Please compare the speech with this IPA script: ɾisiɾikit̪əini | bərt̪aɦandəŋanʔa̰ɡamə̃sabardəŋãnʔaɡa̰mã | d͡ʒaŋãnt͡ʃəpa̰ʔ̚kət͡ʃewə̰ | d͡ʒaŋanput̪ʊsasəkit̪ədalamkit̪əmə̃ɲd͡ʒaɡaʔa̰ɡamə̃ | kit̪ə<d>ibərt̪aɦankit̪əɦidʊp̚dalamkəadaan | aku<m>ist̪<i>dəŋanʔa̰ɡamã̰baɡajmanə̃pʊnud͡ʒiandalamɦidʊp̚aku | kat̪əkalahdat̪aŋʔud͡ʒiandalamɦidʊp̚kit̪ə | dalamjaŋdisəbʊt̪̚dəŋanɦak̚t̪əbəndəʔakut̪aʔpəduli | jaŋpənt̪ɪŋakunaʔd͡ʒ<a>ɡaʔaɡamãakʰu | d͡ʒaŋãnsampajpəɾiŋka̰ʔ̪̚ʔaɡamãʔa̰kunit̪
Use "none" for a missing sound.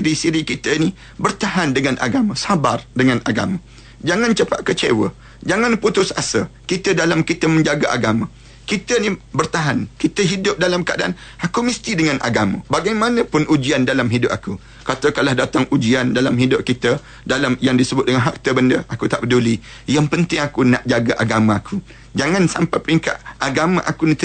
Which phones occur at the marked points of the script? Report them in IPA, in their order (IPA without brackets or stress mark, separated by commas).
n, m, i, a